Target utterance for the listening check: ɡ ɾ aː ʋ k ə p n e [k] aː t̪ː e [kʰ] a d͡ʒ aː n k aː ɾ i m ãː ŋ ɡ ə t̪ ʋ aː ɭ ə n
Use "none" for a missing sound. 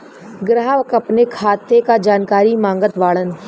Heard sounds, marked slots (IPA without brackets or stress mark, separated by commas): kʰ, k